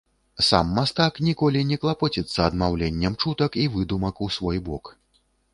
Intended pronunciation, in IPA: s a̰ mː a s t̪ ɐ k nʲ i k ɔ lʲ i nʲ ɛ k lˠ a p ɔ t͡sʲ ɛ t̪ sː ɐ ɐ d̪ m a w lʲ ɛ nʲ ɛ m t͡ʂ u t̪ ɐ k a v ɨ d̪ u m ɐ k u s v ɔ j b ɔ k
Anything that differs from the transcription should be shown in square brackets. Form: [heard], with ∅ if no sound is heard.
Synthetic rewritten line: s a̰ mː a s t̪ [a] k nʲ i k ɔ lʲ i nʲ ɛ k lˠ a p ɔ t͡sʲ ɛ t̪ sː ɐ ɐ d̪ m a w lʲ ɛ [nʲː] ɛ m t͡ʂ u t̪ ɐ k [i] v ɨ d̪ u m ɐ k u s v ɔ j b ɔ k